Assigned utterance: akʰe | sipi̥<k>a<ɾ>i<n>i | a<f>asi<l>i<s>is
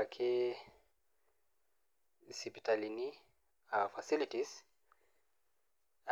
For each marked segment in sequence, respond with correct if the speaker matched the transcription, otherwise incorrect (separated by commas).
incorrect, incorrect, correct, correct, correct, incorrect